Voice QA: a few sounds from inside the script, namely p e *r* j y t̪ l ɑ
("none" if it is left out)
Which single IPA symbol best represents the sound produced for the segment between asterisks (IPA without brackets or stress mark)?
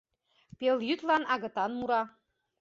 l